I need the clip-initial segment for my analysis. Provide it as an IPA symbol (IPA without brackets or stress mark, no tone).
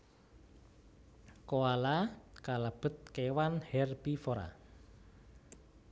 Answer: k